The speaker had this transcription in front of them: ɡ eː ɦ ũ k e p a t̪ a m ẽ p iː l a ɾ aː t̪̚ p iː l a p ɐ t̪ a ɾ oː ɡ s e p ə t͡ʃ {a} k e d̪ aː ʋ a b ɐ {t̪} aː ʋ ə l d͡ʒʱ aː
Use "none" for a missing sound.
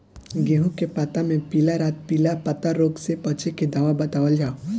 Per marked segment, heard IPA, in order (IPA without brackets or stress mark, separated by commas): e, t̪